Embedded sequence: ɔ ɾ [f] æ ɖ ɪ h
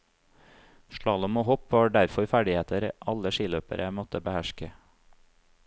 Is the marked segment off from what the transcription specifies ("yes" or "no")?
no